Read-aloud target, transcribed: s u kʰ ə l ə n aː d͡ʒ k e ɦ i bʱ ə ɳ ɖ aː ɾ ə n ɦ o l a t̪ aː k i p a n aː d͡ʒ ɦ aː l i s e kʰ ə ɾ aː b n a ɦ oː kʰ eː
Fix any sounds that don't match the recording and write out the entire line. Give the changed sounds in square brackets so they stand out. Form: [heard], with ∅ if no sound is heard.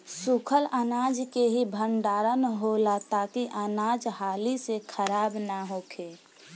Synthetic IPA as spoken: s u kʰ ə l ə n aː d͡ʒ k e ɦ i bʱ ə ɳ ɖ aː ɾ ə n ɦ o l a t̪ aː k i [ʔ] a n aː d͡ʒ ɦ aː l i s e kʰ ə ɾ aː b n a ɦ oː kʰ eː